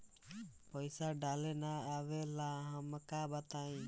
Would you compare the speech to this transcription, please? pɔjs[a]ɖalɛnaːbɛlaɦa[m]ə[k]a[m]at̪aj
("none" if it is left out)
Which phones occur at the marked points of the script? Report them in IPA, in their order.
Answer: a, m, k, b

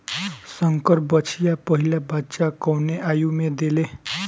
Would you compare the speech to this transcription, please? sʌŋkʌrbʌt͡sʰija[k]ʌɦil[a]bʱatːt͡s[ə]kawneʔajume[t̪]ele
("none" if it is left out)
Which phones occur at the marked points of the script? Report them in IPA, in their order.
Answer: p, a, a, d̪

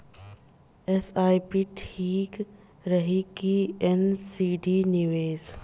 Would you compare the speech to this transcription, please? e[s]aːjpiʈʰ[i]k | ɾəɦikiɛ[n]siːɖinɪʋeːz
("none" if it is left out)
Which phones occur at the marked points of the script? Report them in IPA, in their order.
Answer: s, iː, n

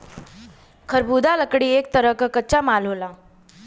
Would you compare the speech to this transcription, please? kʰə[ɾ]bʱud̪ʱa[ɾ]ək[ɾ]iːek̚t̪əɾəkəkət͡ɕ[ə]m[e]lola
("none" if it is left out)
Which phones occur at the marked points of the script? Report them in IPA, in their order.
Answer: ɾ, l, ɽ, a, a

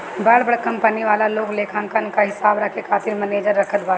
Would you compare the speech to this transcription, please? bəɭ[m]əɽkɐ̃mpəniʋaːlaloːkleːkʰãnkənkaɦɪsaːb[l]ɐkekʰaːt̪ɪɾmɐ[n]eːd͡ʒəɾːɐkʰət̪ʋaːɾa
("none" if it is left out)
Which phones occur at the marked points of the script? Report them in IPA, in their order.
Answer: b, ɾ, n

